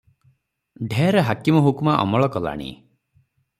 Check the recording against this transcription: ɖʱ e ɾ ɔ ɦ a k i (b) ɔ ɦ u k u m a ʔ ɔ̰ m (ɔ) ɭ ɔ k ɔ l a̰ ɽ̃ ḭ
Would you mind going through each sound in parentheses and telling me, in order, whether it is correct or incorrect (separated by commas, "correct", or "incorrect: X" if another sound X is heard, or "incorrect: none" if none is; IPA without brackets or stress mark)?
incorrect: m, correct